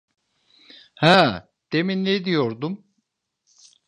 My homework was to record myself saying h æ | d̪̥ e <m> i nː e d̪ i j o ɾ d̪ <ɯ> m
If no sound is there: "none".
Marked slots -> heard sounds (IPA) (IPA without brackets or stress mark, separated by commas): m, u